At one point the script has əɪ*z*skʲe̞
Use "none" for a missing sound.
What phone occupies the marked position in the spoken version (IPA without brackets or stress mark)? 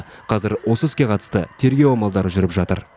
none